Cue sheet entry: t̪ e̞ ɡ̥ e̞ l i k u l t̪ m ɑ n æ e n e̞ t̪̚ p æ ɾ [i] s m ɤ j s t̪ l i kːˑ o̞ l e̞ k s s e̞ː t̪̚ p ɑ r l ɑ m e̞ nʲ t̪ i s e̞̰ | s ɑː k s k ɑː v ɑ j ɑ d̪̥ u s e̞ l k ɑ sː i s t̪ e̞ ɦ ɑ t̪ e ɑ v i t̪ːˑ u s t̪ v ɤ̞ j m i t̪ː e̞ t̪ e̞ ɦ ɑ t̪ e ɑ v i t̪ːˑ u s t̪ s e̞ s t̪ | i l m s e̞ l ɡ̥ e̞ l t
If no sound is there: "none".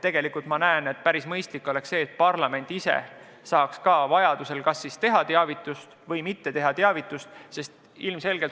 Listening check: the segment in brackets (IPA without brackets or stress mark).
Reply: i